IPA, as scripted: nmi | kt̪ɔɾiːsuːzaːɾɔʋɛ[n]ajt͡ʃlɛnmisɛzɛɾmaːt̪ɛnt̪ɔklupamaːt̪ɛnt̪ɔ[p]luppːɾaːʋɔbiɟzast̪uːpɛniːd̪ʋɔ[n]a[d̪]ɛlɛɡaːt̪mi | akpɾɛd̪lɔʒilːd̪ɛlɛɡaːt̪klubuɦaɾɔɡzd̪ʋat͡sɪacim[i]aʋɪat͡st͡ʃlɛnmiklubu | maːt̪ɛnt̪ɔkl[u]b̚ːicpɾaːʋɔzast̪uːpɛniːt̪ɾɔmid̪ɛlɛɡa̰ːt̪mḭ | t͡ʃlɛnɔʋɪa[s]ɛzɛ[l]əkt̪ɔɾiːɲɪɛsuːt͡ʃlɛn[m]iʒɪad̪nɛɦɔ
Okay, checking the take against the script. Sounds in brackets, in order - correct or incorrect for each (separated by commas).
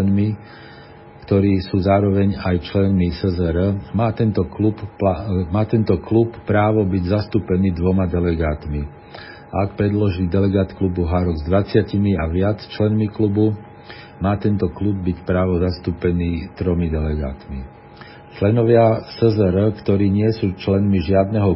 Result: incorrect, incorrect, incorrect, correct, correct, correct, correct, incorrect, correct